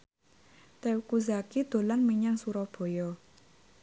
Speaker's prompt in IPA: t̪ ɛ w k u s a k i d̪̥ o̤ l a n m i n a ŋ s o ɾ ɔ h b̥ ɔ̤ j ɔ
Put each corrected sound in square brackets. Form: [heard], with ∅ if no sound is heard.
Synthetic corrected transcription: t̪ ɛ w k u [z] a k i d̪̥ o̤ l a n m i [ɲ] a ŋ s [u] ɾ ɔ h b̥ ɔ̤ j ɔ